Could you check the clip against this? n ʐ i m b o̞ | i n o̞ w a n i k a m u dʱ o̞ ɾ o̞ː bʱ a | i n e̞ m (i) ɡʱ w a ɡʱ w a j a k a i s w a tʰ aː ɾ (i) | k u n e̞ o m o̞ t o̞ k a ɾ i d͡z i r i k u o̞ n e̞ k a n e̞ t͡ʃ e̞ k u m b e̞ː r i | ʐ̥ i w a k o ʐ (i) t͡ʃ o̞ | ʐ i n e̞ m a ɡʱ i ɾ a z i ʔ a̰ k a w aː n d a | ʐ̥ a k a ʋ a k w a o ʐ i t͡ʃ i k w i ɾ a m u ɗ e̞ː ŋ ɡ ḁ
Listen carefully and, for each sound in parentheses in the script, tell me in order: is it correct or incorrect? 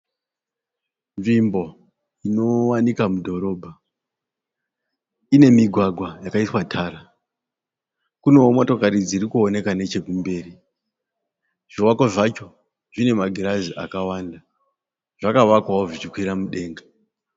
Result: correct, incorrect, incorrect

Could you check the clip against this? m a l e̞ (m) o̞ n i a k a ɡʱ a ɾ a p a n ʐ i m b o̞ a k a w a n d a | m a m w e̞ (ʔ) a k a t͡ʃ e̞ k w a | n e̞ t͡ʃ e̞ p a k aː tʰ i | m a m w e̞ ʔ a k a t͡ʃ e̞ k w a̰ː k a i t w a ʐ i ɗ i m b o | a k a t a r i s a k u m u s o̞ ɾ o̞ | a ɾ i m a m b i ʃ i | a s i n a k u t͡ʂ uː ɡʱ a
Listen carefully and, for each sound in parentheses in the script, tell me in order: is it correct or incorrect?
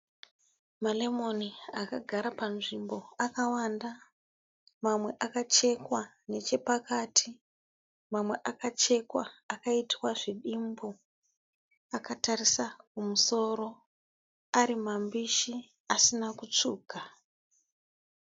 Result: correct, correct

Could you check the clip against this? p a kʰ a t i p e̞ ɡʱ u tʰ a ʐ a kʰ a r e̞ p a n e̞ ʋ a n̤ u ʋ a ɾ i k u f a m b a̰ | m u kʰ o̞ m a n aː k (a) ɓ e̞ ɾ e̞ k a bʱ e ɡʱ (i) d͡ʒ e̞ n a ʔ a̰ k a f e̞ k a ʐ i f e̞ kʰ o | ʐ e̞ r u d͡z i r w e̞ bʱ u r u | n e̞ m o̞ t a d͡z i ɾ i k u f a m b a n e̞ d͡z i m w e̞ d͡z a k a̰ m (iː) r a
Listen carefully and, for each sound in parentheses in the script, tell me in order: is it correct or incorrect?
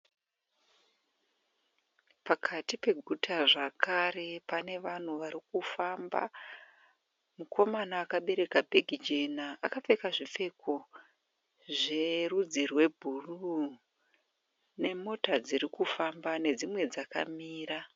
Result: correct, correct, correct

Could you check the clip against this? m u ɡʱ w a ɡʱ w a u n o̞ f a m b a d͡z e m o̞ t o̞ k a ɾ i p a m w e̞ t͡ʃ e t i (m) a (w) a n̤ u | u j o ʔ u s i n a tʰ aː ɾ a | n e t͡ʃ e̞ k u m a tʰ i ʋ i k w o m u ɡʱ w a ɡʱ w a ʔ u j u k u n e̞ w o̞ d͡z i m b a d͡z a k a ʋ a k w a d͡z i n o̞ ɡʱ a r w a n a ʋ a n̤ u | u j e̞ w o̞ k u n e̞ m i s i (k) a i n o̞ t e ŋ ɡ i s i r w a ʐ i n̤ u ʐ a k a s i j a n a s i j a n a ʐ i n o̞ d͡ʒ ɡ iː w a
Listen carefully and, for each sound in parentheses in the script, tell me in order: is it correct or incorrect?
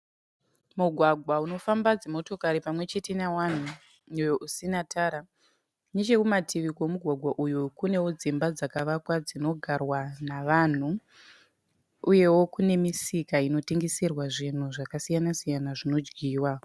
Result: incorrect, correct, correct

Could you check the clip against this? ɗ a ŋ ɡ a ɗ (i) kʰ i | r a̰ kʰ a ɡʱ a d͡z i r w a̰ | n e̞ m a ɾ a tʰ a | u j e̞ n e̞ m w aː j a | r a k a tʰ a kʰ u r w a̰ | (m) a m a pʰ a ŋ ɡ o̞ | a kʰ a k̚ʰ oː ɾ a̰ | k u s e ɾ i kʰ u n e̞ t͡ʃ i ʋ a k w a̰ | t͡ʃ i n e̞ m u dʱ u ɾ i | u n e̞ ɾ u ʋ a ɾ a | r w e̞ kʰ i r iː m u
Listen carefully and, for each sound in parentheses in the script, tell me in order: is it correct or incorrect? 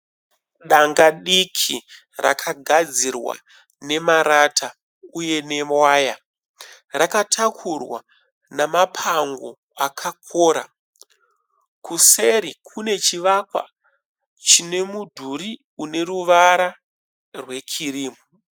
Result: correct, incorrect

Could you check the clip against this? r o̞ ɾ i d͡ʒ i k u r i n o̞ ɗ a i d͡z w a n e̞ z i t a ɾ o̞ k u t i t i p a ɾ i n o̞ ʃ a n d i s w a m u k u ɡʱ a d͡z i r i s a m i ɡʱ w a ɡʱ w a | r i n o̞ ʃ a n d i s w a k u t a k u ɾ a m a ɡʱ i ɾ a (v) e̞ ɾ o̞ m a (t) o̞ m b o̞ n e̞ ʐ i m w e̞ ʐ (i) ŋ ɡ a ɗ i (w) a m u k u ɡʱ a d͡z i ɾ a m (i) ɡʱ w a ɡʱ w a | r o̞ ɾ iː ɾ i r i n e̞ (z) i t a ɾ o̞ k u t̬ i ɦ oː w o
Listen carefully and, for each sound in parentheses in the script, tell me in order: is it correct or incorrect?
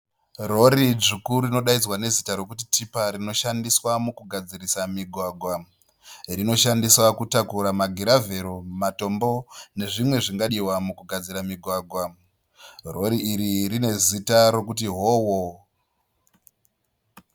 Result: correct, correct, correct, correct, correct, correct

